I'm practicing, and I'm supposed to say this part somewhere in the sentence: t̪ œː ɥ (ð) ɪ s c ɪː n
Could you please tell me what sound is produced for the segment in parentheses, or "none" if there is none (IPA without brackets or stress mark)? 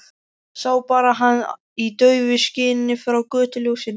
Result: v